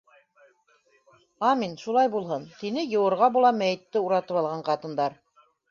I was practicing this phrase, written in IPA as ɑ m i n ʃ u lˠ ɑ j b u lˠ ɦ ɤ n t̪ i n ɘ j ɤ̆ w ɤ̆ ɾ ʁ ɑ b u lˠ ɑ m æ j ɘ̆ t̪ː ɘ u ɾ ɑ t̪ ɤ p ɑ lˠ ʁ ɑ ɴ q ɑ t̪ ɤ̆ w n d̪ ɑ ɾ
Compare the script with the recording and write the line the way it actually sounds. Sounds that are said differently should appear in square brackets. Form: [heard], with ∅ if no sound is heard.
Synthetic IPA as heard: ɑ m i n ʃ u lˠ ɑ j b u lˠ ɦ ɤ n t̪ i n ɘ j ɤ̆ w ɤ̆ ɾ ʁ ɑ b u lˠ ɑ m æ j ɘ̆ t̪ː ɘ u ɾ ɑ t̪ ɤ p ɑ lˠ ʁ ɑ ɴ q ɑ t̪ ɤ̆ [∅] n d̪ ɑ ɾ